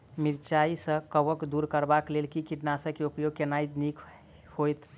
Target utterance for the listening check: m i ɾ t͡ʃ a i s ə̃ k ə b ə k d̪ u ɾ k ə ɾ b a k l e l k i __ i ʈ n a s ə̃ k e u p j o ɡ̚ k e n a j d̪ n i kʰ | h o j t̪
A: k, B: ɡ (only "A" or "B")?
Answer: A